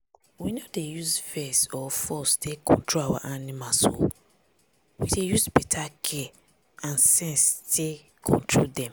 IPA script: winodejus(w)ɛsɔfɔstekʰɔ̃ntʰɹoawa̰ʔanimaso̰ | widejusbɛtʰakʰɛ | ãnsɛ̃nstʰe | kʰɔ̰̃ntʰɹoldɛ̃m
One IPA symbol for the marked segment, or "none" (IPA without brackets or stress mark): v